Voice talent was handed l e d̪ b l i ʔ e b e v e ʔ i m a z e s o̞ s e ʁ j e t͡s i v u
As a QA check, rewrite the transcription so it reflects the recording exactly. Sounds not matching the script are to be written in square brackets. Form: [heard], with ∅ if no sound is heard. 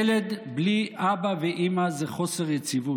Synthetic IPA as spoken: l e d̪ b l i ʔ [a] b [a] v e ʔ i m a z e [χ] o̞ s e ʁ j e t͡s i v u